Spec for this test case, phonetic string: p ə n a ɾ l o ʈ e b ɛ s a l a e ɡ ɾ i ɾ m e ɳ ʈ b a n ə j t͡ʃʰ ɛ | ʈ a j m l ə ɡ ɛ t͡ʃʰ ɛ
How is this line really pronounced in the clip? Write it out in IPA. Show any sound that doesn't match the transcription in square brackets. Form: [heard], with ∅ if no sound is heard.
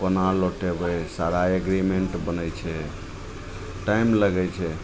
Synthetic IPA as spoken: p ə n a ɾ l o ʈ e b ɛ s a [ɾ] a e ɡ ɾ i [∅] m e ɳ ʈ b [ə] n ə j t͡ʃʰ ɛ | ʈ a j m l ə ɡ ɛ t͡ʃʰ ɛ